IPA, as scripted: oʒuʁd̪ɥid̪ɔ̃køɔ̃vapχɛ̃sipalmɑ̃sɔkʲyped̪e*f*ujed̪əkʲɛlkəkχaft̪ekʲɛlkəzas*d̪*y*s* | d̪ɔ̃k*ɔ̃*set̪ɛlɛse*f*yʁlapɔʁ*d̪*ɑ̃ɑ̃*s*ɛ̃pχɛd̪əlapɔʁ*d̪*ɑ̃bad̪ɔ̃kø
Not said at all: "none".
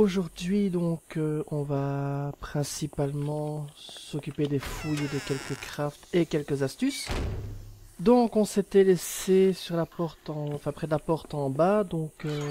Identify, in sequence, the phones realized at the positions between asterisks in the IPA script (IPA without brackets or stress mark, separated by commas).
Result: f, t̪, s, ɔ̃, s, t̪, f, t̪